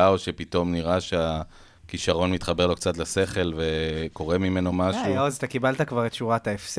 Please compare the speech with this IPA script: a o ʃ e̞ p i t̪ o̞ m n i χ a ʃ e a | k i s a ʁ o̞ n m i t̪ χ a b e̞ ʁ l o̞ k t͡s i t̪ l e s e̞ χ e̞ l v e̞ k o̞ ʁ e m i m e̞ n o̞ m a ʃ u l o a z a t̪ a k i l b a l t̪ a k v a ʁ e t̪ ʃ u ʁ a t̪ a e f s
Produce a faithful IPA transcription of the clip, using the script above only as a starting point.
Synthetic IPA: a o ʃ e̞ p i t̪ o̞ m n i ʁ a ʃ e a | k i ʃ a ʁ o̞ n m i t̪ χ a b e̞ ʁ l o̞ k t͡s a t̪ l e s e̞ χ e̞ l v e̞ k o̞ ʁ e m i m e̞ n o̞ m a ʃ u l o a z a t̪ a k i b a l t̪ a k v a ʁ e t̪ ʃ u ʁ a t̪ a e f s